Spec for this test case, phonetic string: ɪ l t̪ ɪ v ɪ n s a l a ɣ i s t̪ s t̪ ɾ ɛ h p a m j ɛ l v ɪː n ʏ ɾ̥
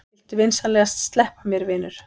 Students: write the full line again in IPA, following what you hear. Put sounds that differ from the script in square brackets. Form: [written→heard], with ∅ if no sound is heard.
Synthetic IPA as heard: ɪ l t̪ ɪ v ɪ n s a l [a→ɛ] ɣ [i→a] s t̪ s t̪ [ɾ→l] ɛ h p a m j ɛ [l→ɾ] v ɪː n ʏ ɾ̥